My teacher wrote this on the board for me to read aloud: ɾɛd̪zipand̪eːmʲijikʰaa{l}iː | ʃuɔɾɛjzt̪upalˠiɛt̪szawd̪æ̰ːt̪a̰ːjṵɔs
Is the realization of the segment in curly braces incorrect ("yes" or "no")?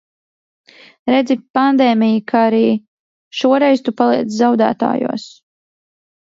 yes